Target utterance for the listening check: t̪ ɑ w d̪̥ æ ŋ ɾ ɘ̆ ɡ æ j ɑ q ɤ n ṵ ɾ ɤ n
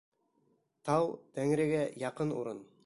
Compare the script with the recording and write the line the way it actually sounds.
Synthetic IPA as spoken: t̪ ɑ w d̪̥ æ ŋ ɾ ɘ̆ ɡ æ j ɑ q ɤ n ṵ ɾ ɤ n